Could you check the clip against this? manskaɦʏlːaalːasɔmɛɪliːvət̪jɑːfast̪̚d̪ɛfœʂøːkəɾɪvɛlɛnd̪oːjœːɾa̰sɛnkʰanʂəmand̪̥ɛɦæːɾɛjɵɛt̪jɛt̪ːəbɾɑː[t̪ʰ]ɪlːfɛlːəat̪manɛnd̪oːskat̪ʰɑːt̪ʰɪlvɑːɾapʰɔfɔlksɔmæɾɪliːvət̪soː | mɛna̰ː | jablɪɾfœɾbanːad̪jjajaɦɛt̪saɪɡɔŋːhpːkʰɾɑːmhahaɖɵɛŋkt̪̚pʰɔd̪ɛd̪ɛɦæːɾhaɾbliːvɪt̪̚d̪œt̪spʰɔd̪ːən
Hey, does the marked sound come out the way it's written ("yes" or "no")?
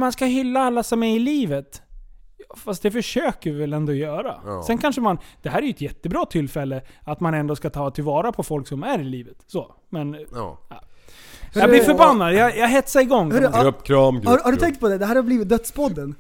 yes